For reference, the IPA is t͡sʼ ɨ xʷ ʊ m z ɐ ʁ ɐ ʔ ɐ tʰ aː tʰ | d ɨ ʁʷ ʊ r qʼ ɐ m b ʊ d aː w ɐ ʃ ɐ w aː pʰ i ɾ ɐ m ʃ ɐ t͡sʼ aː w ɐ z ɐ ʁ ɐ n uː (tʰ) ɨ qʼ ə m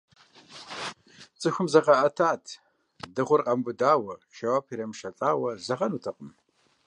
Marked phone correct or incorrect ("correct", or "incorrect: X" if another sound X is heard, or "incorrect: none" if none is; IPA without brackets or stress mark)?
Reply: correct